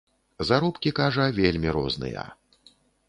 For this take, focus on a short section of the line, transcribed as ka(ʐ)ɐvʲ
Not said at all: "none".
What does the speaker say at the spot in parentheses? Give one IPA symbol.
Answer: ʐ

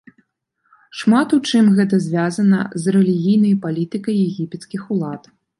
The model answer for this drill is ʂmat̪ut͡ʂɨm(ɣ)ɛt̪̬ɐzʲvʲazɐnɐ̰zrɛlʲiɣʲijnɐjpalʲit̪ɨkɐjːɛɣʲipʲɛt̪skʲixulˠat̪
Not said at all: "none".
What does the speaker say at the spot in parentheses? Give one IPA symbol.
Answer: ɣ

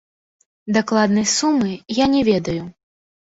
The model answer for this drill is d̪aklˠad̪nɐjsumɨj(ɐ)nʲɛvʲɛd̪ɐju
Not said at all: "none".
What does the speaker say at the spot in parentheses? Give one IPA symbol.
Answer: a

